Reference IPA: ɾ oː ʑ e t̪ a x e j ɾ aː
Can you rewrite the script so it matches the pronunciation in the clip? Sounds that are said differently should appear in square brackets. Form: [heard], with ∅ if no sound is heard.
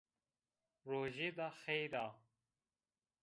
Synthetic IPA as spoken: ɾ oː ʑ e [d̪] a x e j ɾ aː